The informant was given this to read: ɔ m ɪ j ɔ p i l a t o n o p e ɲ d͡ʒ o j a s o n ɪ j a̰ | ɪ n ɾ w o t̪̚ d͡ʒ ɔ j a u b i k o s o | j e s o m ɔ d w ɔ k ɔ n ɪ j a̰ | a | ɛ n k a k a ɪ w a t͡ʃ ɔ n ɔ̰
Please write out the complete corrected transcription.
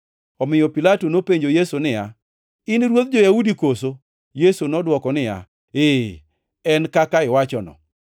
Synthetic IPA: ɔ m ɪ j ɔ p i l a t o n o p e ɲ d͡ʒ o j e s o n ɪ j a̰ | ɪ n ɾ w o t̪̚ d͡ʒ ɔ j a u d i k o s o | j e s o n ɔ d w ɔ k ɔ n ɪ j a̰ | e | ɛ n k a k a ɪ w a t͡ʃ ɔ n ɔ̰